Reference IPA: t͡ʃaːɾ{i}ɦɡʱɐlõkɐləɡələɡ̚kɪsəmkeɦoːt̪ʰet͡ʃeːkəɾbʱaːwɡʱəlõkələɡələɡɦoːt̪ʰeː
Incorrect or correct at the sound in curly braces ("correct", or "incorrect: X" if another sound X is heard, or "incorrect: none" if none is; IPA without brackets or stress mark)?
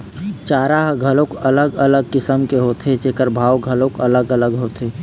incorrect: a